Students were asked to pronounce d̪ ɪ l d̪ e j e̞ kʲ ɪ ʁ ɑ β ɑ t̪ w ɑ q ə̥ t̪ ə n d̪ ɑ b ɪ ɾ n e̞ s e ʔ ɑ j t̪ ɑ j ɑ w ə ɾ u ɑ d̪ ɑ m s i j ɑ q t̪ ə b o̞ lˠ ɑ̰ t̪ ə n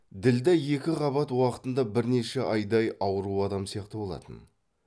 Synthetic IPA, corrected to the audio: d̪ ɪ l d̪ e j e̞ kʲ ɪ ʁ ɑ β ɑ t̪ w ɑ q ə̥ t̪ ə n d̪ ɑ b ɪ ɾ n e̞ ʃ e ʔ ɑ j d̪ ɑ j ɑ w ə ɾ u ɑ d̪ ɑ m s i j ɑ q t̪ ə b o̞ lˠ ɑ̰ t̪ ə n